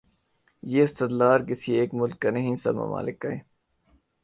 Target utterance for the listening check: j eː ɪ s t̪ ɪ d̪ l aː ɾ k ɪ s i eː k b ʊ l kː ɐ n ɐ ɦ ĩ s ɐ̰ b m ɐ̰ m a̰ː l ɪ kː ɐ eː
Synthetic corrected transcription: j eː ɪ s t̪ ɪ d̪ l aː ɾ k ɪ s i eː k m ʊ l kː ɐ n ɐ ɦ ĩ s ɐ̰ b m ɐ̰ m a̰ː l ɪ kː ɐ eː